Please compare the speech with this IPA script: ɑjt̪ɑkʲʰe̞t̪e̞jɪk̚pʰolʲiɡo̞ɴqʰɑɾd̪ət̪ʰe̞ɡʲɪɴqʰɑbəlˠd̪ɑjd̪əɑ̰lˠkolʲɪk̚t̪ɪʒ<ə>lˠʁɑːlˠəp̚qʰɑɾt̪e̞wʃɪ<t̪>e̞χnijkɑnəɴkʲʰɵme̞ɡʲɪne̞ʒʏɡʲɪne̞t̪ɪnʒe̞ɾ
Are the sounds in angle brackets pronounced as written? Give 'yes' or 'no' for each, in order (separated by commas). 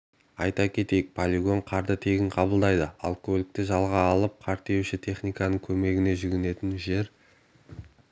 no, no